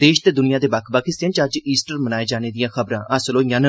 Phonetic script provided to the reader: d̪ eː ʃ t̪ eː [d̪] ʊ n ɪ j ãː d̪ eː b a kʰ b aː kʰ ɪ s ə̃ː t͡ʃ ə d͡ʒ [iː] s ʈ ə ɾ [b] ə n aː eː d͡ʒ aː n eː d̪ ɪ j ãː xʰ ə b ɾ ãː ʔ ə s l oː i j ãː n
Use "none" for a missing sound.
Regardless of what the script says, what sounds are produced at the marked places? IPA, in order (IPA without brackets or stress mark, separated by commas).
d̪, iː, m